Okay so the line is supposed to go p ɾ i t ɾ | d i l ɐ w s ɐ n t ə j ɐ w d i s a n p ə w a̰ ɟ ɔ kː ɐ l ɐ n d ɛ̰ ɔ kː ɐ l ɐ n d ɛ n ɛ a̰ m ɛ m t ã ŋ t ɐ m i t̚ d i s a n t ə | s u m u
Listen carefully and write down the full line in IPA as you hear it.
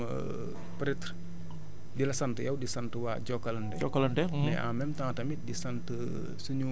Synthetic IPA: p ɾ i t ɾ | d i l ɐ s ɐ n t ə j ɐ w d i s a n t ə w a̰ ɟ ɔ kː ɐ l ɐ n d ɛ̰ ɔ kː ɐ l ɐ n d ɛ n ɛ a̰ m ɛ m t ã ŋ t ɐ m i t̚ d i s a n t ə | s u ɲ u

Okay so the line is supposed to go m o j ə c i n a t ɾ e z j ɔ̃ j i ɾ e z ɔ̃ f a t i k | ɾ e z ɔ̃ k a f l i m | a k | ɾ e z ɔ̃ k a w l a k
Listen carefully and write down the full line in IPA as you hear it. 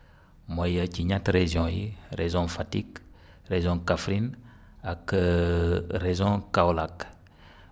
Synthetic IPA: m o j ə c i ɲ a t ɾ e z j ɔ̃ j i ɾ e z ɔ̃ f a t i k | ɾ e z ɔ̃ k a f ɾ i n | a k | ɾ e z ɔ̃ k a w l a k

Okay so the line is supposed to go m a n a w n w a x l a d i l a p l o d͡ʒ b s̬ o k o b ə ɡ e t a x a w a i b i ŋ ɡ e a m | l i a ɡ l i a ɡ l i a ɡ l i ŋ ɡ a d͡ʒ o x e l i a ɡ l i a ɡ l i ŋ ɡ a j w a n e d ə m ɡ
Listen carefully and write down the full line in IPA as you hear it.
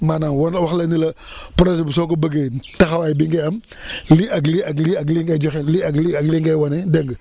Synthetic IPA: m a n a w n w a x l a n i l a p ɾ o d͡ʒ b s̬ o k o b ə ɡ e t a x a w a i b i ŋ ɡ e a m | l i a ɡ l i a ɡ l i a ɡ l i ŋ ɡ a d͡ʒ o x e l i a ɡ l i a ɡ l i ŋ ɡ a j w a n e d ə ŋ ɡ

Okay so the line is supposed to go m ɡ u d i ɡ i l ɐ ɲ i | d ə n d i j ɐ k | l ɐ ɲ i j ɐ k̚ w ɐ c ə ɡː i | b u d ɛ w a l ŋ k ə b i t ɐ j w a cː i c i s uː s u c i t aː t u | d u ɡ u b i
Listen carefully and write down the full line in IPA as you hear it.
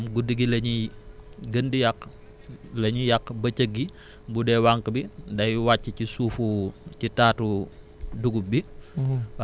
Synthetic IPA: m ɡ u d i ɡ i l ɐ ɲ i | ɡ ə n d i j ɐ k | l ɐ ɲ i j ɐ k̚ b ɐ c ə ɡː i | b u d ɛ w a ŋ k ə b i d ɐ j w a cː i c i s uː f u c i t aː t u | d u ɡ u b i

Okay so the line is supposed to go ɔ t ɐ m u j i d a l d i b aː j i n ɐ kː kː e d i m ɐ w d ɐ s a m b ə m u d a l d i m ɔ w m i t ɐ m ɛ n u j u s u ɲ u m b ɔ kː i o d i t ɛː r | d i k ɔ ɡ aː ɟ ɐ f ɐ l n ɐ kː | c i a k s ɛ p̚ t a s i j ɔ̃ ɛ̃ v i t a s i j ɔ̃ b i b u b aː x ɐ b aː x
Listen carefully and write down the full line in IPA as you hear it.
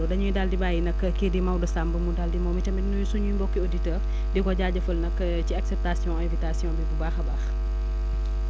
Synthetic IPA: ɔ d ɐ ɲ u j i d a l d i b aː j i n ɐ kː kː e d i m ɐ w d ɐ s a m b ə m u d a l d i m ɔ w m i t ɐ m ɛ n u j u s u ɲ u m b ɔ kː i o d i t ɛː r | d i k ɔ ɟ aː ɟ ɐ f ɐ l n ɐ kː | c i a k s ɛ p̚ t a s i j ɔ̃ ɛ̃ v i t a s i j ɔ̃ b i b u b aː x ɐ b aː x

